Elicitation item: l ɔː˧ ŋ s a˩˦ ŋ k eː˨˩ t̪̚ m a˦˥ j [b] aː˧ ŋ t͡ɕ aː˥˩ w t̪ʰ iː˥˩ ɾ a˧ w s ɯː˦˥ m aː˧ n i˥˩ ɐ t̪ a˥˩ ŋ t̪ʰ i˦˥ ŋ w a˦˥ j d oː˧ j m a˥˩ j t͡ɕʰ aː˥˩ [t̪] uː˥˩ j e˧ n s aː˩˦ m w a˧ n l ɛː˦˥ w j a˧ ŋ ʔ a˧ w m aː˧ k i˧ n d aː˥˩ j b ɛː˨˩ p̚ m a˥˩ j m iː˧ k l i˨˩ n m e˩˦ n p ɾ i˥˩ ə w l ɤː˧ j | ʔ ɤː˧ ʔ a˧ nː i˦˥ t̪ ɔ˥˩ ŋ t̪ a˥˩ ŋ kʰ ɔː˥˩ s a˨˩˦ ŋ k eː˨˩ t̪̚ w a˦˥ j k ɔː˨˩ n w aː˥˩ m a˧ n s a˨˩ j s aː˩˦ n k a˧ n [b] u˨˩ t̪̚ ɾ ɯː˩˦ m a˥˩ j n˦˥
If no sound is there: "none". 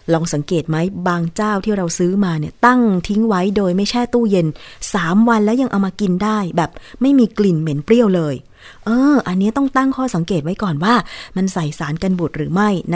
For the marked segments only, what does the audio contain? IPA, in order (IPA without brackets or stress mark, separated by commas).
b, t̪, b